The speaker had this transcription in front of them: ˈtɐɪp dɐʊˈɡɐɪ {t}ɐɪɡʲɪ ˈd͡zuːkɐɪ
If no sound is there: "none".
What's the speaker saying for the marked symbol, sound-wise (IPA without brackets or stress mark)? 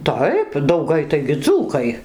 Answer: t